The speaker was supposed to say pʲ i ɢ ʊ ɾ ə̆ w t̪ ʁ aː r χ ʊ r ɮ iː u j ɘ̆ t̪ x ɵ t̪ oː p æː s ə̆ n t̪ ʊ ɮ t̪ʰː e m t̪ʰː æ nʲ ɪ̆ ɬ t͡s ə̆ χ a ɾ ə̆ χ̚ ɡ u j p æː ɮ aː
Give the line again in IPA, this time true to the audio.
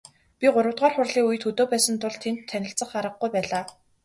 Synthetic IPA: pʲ i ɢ ʊ ɾ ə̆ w t̪ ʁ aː r χ ʊ r ɮ iː u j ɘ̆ t̪ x ɵ t̪ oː p æː s ə̆ n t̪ ʊ ɮ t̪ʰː e n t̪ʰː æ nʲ ɪ̆ ɬ t͡s ə̆ χ a ɾ ə̆ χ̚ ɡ u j p æː ɮ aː